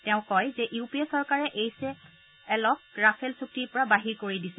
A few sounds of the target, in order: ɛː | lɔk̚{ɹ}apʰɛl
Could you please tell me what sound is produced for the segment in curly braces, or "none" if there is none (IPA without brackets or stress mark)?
ɹ